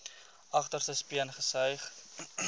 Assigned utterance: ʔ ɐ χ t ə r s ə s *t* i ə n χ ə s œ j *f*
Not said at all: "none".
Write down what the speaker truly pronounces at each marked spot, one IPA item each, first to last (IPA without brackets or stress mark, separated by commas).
p, χ